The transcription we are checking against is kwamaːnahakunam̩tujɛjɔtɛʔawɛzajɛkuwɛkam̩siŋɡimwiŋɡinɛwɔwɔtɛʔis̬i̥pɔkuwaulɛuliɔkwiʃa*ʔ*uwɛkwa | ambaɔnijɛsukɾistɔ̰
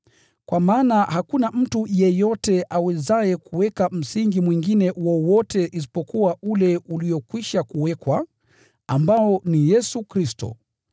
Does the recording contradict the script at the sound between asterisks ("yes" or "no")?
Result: yes